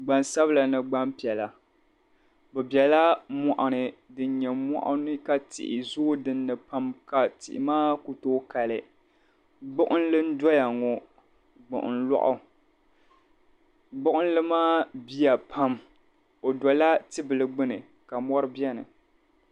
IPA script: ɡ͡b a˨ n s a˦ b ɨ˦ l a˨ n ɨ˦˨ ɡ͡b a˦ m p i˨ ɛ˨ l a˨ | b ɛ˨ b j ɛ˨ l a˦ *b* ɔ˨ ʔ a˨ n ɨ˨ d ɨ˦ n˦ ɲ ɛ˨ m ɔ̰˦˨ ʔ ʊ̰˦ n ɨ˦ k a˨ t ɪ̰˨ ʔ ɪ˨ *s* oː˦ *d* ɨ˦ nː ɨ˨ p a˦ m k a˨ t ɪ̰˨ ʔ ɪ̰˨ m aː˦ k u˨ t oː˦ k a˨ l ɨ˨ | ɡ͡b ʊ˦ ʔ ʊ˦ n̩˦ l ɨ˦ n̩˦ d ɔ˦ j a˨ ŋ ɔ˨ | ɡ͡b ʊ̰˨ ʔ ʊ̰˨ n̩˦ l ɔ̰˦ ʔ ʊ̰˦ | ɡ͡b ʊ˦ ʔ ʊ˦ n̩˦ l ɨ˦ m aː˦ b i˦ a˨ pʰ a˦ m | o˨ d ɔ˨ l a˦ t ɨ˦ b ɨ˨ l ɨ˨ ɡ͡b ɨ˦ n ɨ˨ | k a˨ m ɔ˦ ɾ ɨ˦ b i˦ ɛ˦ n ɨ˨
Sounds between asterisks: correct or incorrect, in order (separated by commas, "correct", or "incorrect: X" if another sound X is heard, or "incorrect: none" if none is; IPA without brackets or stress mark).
incorrect: m, incorrect: z, correct